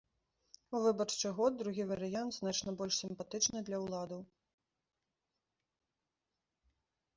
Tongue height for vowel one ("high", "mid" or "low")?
high